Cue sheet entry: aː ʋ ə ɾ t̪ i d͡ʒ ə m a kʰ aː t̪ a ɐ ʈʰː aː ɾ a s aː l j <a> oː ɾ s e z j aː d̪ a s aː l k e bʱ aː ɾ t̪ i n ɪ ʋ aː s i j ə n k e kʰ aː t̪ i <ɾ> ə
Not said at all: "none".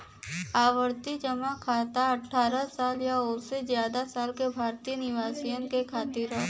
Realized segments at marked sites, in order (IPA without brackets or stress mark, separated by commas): a, ɾ